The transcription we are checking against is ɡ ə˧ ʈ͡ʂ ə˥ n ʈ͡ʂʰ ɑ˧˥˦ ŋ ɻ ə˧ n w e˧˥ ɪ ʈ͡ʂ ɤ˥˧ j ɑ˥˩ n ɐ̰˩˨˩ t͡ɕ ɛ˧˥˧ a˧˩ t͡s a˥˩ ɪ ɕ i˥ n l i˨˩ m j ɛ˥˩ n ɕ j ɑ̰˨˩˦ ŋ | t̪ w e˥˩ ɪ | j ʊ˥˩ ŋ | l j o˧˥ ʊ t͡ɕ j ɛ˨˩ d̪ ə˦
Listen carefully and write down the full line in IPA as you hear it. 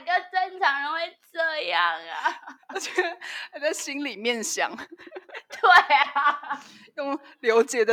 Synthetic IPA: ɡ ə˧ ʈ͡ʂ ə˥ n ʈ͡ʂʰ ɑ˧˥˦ ŋ ɻ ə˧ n w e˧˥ ɪ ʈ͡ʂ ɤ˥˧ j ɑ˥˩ ŋ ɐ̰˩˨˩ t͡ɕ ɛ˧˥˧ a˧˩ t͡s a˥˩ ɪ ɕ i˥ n l i˨˩ m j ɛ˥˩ n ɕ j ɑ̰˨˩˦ ŋ | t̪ w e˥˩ ɪ | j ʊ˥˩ ŋ | l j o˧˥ ʊ t͡ɕ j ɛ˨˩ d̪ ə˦